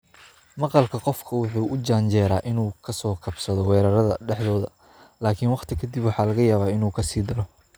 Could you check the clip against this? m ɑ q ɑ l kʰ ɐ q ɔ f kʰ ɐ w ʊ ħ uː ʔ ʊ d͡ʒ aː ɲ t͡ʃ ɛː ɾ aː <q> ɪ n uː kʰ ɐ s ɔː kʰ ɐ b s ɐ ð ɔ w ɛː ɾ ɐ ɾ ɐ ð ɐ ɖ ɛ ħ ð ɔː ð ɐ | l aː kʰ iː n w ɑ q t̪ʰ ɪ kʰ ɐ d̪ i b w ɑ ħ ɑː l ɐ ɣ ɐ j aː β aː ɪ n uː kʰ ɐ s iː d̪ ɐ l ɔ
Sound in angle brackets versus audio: incorrect: ʔ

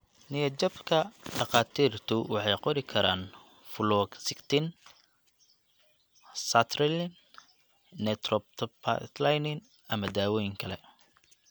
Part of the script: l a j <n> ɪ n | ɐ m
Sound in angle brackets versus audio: correct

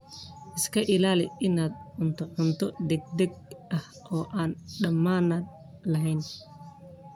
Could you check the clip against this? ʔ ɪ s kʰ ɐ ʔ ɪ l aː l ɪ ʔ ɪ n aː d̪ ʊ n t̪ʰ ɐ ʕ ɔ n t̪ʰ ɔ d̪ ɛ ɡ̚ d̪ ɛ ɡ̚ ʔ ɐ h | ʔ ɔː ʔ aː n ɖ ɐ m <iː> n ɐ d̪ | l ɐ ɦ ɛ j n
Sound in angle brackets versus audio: incorrect: aː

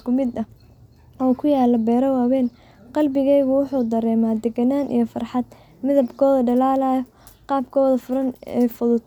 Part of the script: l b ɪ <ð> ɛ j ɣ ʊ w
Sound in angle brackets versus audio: incorrect: ɣ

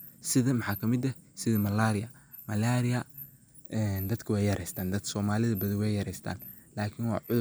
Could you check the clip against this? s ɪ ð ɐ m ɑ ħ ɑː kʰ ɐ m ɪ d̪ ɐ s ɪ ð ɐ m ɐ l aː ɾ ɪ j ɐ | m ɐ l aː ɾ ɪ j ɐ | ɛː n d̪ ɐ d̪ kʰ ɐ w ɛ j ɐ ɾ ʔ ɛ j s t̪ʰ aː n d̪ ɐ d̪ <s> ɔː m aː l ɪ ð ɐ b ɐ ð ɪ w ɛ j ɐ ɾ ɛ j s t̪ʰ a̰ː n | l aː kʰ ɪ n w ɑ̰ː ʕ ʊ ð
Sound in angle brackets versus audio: correct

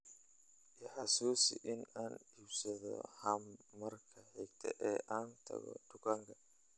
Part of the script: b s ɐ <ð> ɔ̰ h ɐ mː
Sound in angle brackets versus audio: correct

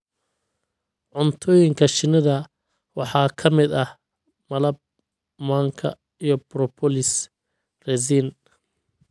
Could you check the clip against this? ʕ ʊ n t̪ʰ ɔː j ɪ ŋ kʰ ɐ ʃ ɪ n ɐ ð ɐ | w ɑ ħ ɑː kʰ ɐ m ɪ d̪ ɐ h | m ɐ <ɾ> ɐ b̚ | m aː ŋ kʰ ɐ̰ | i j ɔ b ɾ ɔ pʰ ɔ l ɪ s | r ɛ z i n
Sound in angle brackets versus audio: incorrect: l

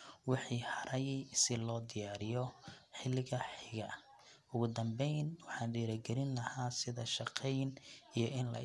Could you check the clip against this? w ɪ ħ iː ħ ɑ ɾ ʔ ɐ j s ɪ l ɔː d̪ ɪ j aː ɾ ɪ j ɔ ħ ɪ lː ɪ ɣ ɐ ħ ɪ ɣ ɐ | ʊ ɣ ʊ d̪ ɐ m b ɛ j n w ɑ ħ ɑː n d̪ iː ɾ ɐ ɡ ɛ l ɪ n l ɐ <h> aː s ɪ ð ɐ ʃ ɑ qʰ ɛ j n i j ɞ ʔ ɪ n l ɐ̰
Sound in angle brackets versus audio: correct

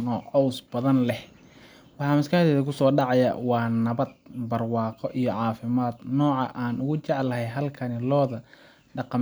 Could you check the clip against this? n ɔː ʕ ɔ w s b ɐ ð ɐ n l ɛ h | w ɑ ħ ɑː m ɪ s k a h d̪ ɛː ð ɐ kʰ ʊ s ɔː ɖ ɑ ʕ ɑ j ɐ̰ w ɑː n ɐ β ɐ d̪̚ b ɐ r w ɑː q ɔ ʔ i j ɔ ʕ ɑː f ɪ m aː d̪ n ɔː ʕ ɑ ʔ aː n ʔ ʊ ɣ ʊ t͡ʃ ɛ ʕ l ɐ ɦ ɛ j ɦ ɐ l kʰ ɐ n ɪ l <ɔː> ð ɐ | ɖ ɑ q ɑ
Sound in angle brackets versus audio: correct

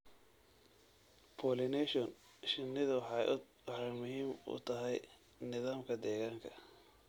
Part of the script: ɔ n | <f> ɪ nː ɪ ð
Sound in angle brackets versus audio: incorrect: ʃ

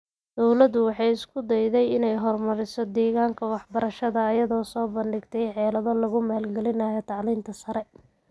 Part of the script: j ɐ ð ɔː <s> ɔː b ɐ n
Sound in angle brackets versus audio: correct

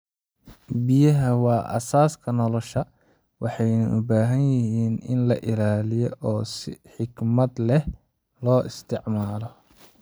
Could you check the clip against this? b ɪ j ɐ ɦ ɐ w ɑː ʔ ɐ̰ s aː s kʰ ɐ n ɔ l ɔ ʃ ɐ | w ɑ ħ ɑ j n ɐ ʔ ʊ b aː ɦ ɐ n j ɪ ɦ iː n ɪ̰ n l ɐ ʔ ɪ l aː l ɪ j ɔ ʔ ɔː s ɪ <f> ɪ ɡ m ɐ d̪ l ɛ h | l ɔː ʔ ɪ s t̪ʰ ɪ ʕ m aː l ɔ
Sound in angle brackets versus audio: incorrect: ħ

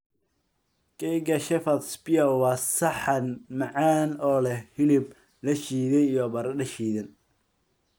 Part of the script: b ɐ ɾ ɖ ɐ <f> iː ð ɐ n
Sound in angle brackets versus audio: incorrect: ʃ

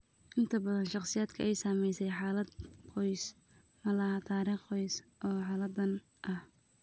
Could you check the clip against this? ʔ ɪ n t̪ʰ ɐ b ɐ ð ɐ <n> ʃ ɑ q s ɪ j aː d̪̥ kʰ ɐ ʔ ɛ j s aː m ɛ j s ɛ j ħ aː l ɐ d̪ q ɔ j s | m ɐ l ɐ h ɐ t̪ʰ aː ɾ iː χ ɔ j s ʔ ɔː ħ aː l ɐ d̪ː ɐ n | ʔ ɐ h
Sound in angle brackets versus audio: correct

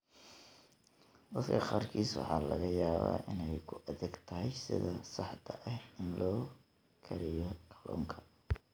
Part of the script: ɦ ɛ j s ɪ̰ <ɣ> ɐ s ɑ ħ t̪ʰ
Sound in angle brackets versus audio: incorrect: ð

